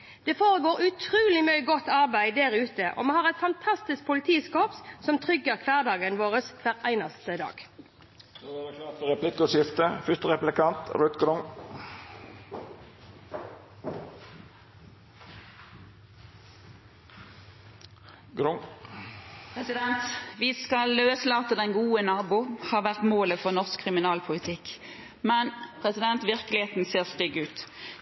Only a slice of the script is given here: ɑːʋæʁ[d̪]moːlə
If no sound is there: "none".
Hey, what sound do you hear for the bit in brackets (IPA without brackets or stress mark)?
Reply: t̪